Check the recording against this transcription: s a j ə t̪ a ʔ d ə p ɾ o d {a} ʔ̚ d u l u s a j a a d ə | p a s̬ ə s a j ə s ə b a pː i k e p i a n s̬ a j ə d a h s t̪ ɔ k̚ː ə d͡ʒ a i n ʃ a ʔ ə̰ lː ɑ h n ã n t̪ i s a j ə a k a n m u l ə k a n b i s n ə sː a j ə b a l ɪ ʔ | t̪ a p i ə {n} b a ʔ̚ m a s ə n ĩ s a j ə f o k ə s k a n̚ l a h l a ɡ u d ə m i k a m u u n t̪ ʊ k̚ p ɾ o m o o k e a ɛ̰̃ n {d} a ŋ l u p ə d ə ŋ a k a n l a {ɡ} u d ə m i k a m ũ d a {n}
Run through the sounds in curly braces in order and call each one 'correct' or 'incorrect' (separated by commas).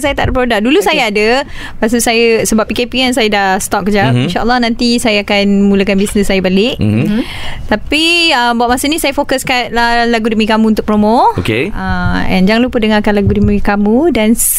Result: correct, incorrect, incorrect, correct, correct